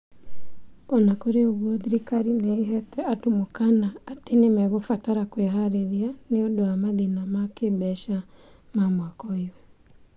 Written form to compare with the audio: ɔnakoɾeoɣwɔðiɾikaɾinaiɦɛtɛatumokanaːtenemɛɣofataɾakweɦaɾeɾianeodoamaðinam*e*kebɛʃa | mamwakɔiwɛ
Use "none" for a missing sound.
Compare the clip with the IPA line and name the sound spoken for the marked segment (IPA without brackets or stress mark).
a